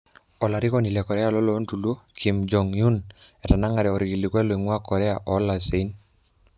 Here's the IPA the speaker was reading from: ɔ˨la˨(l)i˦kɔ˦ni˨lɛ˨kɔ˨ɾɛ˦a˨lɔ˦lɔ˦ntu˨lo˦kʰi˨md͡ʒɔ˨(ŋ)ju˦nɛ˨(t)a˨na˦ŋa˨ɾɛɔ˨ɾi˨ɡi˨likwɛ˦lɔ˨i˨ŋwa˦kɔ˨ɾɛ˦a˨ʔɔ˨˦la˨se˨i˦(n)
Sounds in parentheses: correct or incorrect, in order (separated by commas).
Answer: incorrect, correct, correct, correct